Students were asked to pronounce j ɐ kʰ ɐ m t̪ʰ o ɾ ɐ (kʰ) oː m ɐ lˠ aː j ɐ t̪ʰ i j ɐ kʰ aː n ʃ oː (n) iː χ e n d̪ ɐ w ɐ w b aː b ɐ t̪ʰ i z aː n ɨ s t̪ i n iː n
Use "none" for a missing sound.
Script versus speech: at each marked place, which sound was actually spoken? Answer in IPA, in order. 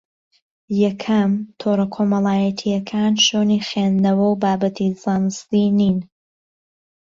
kʰ, n

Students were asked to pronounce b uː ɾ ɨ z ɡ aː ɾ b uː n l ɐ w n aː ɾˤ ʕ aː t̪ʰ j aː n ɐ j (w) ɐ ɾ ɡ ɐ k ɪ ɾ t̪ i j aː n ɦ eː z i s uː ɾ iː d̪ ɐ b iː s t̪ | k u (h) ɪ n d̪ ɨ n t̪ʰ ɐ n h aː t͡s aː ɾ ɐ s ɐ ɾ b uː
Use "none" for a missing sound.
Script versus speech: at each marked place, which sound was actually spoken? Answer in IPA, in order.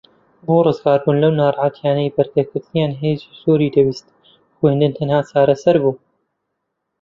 b, h

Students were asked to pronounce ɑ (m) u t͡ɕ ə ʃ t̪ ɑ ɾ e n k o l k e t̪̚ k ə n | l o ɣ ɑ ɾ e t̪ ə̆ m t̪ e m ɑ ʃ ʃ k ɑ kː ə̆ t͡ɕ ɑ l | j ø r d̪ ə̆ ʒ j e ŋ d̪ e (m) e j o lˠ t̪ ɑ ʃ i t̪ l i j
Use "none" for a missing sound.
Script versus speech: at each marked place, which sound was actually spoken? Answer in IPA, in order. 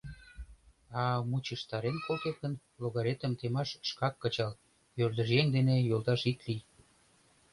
m, n

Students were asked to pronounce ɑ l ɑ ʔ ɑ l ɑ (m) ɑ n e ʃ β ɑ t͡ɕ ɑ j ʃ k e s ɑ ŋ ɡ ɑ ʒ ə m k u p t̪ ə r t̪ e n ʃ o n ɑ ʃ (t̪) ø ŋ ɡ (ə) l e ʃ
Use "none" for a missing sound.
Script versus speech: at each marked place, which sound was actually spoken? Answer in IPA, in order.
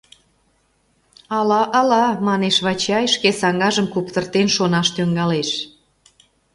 m, t̪, ɑ

